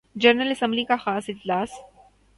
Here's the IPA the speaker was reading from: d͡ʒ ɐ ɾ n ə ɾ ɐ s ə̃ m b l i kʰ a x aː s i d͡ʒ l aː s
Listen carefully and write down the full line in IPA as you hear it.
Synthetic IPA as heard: d͡ʒ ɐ ɾ n ə l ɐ s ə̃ m b l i k a x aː s ɪ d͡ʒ l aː s